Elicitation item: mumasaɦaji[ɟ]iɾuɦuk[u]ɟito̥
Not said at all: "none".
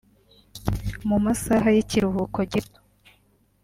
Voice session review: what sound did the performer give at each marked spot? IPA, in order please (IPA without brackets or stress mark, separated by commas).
c, o